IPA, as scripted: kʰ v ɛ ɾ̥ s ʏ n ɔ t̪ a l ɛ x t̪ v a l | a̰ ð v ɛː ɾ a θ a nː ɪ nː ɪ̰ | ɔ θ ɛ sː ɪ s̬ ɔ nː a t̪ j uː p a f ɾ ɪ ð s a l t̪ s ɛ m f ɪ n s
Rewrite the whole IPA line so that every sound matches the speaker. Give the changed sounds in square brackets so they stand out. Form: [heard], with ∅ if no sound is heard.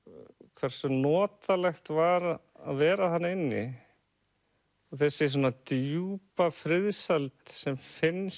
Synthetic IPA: kʰ v ɛ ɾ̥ s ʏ n [ɔː] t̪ a l ɛ x t̪ v a [ɾ] | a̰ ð v ɛː ɾ a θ a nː ɪ nː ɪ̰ | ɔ θ ɛ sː ɪ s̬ ɔ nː a t̪ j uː p a f ɾ ɪ ð s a l t̪ s ɛ m f ɪ n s

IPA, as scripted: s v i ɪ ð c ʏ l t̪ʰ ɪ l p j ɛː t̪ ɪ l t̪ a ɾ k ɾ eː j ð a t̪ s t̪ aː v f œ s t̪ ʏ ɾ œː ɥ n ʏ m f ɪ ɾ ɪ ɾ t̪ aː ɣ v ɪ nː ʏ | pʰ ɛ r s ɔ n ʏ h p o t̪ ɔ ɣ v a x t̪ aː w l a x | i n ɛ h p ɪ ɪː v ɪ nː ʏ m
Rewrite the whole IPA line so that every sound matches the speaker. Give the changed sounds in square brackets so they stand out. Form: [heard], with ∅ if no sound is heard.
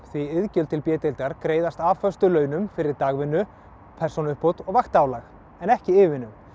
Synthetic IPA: [θ] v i ɪ ð c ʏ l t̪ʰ ɪ l p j ɛː t̪ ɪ l t̪ a ɾ k ɾ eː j ð a [∅] s t̪ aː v f œ s t̪ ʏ [l] œː ɥ n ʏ m f ɪ ɾ ɪ ɾ t̪ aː ɣ v ɪ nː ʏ | pʰ ɛ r s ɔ n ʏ h p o t̪ ɔ ɣ v a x t̪ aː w l a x | [ɛ] n ɛ h [c] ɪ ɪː v ɪ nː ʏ m

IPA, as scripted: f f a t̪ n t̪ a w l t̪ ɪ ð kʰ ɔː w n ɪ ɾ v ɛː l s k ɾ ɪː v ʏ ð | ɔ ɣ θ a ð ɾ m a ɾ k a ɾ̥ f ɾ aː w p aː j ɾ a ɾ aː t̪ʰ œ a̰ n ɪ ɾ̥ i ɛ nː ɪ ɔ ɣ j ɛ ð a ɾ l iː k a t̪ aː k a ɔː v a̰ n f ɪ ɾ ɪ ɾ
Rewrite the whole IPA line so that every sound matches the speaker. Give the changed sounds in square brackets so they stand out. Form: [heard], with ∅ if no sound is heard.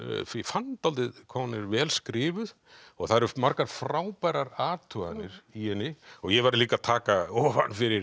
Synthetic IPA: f f a [∅] n t̪ a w l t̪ ɪ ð kʰ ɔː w n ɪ ɾ v ɛː l s k ɾ ɪː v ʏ ð | ɔ ɣ θ a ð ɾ m a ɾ k a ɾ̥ f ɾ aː w p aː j ɾ a ɾ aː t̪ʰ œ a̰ n ɪ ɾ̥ i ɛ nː ɪ ɔ ɣ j ɛ [v] a ɾ l iː k a [t̪ʰ] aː k a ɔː v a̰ n f ɪ ɾ ɪ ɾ

